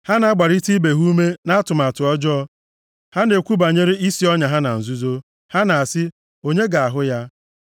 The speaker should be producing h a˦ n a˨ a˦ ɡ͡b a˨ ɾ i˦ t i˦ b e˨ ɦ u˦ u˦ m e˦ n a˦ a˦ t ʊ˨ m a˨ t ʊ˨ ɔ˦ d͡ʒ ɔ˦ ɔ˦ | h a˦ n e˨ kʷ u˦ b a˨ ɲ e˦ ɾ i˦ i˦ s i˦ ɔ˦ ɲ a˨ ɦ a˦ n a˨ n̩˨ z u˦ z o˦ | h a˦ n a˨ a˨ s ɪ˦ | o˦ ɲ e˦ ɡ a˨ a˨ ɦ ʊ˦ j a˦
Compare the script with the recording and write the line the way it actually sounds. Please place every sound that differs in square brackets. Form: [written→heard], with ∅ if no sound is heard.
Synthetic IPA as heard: h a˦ n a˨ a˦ ɡ͡b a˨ ɾ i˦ t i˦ b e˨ ɦ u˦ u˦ m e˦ n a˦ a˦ t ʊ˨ m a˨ t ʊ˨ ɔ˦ d͡ʒ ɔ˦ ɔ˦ | h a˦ n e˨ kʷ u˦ b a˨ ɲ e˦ ɾ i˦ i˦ s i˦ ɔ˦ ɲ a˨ ɦ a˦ n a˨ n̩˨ z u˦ z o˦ | h a˦ n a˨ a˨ s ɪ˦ | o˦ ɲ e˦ ɡ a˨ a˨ ɦ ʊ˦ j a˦